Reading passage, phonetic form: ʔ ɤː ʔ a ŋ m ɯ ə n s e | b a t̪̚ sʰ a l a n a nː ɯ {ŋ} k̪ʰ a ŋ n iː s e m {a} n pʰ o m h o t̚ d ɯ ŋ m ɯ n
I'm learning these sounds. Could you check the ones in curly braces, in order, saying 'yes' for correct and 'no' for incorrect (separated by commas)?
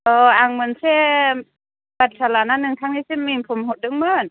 yes, no